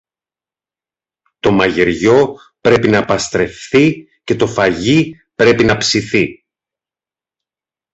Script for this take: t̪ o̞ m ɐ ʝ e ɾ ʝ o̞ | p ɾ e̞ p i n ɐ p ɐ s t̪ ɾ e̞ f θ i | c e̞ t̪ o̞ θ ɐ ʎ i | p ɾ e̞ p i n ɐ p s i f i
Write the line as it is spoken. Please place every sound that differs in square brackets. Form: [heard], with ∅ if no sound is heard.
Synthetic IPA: t̪ o̞ m ɐ ʝ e ɾ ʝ o̞ | p ɾ e̞ p i n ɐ p ɐ s t̪ ɾ e̞ f θ i | c e̞ t̪ o̞ [f] ɐ [ʝ] i | p ɾ e̞ p i n ɐ p s i [θ] i

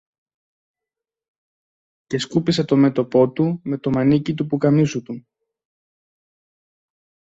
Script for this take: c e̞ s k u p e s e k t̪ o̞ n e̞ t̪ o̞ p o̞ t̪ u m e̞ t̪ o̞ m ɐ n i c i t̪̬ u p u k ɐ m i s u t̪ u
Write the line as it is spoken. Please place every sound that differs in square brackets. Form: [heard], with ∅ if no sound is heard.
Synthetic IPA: c e̞ s k u p [i] s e [∅] t̪ o̞ [m] e̞ t̪ o̞ p o̞ t̪ u m e̞ t̪ o̞ m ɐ n i c i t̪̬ u p u k ɐ m i s u t̪ u

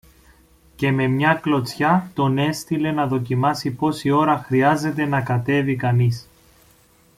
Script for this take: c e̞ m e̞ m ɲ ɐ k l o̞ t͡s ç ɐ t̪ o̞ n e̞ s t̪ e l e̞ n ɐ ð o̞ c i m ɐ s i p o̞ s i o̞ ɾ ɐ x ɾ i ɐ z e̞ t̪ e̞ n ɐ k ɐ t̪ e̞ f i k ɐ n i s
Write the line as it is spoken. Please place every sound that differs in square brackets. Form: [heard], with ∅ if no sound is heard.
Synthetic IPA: c e̞ m e̞ m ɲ ɐ k l o̞ t͡s ç ɐ t̪ o̞ n e̞ s t̪ [i] l e̞ n ɐ ð o̞ c i m ɐ s i p o̞ s i o̞ ɾ ɐ x ɾ i ɐ z e̞ t̪ e̞ n ɐ k ɐ t̪ e̞ [v] i k ɐ n i s

